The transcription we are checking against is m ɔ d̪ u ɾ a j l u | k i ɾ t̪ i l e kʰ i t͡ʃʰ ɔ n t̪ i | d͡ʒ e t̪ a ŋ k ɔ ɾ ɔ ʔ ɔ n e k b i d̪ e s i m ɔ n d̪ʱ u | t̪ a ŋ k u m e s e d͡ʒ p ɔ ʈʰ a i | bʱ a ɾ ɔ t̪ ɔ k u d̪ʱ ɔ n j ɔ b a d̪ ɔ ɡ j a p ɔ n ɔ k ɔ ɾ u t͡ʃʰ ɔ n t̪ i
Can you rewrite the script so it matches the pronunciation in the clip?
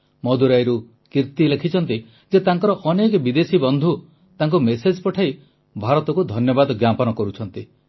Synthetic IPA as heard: m ɔ d̪ u ɾ a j ɾ u | k i ɾ t̪ i l e kʰ i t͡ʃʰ ɔ n t̪ i | d͡ʒ e t̪ a ŋ k ɔ ɾ ɔ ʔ ɔ n e k b i d̪ e s i b ɔ n d̪ʱ u | t̪ a ŋ k u m e s e d͡ʒ p ɔ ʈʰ a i | bʱ a ɾ ɔ t̪ ɔ k u d̪ʱ ɔ n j ɔ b a d̪ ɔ ɡ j a p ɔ n ɔ k ɔ ɾ u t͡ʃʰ ɔ n t̪ i